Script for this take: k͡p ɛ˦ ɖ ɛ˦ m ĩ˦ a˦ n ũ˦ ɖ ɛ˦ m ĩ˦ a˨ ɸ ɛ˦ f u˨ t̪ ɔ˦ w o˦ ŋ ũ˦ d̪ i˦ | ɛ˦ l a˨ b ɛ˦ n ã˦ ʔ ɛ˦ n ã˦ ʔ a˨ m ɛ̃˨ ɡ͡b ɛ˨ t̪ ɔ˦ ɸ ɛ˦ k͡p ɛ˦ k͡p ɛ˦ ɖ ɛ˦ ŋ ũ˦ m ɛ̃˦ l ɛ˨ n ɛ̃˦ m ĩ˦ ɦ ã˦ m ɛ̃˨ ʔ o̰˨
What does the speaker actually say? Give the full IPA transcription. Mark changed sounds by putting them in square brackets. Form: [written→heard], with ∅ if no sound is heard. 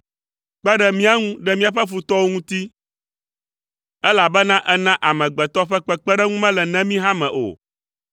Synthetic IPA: k͡p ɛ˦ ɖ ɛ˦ m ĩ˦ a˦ [n→ŋ] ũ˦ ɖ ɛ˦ m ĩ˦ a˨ ɸ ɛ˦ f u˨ t̪ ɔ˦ w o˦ ŋ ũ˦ [d̪→t̪] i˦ | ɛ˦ l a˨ b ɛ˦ n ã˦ ʔ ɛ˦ n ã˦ ʔ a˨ m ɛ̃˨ ɡ͡b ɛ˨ t̪ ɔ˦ ɸ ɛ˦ k͡p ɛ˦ k͡p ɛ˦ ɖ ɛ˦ ŋ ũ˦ m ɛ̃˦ l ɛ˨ n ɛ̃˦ m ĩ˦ ɦ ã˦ m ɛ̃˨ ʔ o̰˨